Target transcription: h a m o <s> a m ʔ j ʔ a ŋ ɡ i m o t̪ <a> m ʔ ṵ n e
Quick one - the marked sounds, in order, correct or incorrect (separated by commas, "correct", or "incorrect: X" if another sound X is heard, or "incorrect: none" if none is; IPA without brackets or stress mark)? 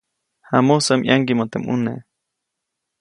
correct, incorrect: e